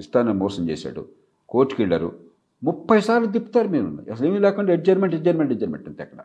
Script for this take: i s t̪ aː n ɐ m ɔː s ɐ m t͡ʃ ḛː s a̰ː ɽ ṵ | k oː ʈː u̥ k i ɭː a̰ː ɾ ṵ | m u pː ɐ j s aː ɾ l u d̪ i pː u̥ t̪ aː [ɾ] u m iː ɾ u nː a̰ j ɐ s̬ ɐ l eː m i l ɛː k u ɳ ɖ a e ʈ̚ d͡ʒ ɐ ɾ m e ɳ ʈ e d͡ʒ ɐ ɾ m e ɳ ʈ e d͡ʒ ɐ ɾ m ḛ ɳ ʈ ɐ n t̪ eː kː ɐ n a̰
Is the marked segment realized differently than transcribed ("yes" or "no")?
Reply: no